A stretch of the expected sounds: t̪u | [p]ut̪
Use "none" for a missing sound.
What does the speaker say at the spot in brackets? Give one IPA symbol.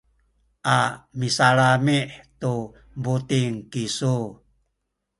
b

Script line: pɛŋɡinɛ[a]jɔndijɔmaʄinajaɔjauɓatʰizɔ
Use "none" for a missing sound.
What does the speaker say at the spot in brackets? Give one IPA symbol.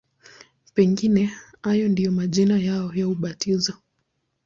a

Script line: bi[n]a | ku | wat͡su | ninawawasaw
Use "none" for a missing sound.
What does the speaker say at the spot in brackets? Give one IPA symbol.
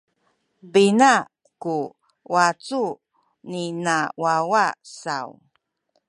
n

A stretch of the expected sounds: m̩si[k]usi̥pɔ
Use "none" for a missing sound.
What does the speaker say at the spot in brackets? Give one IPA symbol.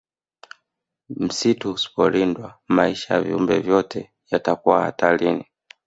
t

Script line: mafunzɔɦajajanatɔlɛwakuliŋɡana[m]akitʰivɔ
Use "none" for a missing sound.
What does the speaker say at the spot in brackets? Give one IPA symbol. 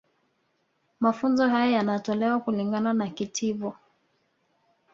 n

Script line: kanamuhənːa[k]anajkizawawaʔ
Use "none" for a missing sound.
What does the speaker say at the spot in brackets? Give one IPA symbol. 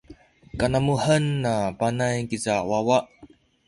p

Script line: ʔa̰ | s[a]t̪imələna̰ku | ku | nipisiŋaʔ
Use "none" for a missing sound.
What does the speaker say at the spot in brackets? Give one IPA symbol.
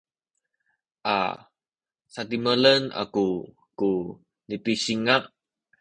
a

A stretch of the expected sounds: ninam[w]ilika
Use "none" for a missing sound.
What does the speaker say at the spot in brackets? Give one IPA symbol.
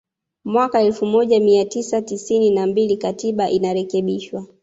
b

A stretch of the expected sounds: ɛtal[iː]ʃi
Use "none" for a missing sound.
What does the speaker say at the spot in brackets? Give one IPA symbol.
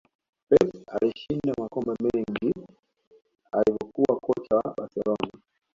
i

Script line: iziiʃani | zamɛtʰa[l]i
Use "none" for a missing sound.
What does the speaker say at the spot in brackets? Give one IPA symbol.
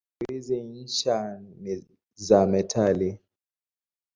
l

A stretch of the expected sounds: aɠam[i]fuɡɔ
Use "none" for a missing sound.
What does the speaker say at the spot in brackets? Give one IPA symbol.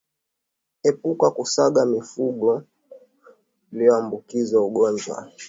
i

